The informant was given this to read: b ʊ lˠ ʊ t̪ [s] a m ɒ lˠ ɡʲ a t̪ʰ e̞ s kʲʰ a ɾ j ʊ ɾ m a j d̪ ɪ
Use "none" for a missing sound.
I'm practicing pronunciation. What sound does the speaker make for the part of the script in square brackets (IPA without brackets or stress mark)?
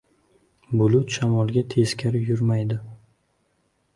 ʃ